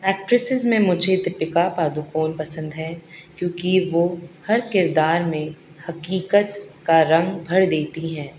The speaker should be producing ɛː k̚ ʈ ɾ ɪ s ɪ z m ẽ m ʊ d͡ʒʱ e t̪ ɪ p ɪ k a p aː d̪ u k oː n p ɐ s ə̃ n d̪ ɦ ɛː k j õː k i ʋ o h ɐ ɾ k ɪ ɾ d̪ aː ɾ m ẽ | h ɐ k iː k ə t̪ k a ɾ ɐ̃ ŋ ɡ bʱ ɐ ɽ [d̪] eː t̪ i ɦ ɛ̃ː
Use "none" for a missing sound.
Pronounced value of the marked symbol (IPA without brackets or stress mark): d̪